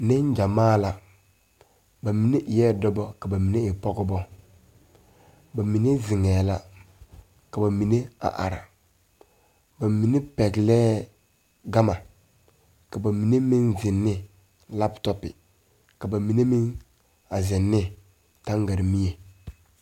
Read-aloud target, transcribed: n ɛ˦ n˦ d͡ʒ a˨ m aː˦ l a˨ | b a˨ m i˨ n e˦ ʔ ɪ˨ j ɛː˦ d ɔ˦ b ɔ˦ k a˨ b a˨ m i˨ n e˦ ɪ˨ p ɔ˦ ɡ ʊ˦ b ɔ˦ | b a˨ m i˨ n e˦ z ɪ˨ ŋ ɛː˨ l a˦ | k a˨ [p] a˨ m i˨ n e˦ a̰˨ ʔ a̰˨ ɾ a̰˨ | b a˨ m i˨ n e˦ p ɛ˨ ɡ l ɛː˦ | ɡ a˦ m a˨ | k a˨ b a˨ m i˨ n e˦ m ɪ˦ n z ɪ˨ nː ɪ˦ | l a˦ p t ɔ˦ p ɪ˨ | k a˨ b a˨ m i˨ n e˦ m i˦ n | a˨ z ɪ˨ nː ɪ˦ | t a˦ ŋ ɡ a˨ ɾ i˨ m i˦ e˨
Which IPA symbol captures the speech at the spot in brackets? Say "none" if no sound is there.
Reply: b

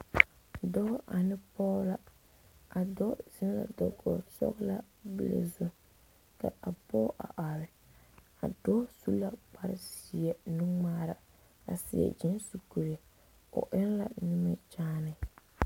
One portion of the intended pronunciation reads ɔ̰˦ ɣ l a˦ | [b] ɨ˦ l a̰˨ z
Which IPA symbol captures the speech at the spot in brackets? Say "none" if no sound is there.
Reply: b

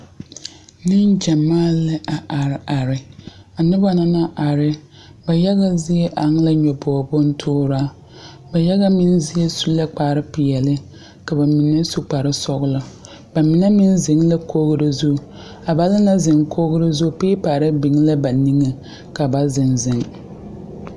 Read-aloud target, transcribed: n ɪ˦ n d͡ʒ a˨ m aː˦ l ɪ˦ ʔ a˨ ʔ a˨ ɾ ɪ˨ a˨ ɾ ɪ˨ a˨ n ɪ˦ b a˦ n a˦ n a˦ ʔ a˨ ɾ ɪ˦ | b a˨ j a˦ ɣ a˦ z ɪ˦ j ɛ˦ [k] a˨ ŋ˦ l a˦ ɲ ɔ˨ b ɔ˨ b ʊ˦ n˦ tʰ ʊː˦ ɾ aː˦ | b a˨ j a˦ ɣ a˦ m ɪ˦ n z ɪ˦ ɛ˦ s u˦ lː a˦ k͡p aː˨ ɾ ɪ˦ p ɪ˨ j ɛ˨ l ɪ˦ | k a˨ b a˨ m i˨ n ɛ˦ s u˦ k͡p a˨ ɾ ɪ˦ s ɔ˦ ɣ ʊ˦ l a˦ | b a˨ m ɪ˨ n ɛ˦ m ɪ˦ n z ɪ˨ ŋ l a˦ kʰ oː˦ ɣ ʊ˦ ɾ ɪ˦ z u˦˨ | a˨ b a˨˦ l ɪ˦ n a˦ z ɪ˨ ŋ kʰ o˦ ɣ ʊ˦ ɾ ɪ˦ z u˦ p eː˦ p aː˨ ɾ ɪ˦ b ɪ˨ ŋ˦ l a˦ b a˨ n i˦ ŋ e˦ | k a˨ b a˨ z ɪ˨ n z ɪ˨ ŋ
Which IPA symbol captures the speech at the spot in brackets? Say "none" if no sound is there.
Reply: ʔ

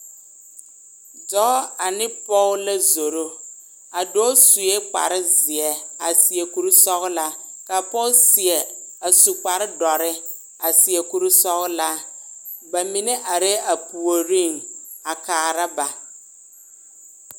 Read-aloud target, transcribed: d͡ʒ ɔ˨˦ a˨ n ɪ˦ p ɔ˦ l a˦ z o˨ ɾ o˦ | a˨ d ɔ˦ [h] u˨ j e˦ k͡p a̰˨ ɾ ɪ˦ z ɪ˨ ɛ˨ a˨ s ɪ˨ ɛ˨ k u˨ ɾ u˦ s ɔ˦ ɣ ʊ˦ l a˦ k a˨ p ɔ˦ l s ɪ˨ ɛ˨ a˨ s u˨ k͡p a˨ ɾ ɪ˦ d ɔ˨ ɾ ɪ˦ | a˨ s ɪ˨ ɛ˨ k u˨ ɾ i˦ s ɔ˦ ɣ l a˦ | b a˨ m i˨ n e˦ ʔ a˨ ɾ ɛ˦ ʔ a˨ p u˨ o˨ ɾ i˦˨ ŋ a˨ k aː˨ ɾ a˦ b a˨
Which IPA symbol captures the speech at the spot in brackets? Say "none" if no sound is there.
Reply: s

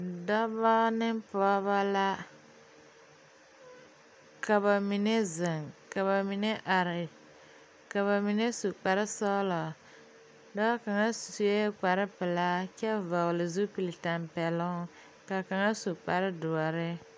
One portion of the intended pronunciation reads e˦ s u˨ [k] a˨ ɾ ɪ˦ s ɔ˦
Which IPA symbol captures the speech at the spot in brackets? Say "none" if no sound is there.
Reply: k͡p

